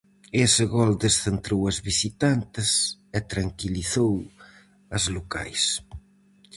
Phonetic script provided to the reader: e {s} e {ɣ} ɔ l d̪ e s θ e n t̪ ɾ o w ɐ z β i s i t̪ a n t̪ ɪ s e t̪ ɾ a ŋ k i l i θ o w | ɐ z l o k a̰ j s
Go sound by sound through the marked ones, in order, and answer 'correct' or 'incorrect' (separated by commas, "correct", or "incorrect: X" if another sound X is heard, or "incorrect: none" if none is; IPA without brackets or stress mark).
correct, correct